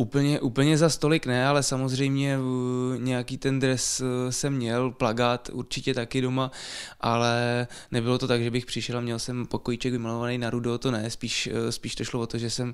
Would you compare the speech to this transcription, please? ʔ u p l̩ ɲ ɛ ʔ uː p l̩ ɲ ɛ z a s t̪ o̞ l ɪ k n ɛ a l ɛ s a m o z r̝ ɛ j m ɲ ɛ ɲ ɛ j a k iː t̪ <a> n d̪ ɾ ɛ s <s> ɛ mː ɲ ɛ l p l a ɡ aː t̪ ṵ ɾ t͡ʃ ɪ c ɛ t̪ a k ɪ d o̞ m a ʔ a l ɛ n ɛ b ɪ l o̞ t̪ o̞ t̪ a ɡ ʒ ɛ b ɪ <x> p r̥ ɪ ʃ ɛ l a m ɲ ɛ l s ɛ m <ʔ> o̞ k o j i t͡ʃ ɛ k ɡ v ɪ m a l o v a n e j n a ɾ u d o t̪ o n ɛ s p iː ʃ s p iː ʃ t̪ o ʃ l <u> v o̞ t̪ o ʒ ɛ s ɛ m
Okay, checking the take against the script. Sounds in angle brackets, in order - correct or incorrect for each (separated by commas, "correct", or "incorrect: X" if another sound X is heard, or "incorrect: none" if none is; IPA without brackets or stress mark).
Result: incorrect: ɛ, correct, correct, incorrect: p, incorrect: o